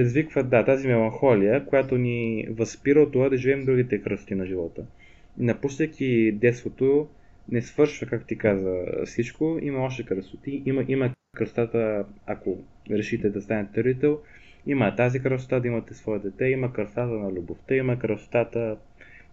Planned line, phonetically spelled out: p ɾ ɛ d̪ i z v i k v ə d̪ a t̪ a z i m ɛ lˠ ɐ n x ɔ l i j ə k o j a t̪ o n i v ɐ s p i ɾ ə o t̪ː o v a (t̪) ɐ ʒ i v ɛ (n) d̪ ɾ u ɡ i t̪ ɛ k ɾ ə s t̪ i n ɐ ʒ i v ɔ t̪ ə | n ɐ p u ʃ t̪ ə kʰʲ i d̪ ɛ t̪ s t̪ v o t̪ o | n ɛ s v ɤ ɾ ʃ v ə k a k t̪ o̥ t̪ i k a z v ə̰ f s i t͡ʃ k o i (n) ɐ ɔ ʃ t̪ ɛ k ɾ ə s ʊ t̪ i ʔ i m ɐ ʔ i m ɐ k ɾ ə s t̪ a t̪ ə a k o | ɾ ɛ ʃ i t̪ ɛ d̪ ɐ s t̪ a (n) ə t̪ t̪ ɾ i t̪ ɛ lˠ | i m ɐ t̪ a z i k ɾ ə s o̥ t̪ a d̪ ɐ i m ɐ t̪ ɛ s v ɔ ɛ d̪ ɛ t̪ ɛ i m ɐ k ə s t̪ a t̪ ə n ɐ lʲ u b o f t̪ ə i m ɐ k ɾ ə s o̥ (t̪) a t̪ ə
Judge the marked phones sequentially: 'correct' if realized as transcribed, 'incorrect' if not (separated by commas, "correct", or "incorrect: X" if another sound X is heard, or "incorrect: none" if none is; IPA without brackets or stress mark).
incorrect: d̪, incorrect: m, incorrect: m, correct, correct